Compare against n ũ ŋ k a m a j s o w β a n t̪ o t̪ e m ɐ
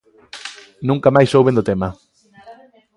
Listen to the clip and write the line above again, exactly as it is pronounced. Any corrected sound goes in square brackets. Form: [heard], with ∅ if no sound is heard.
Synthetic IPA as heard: n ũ ŋ k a m a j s o w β [e] n [d̪] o t̪ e m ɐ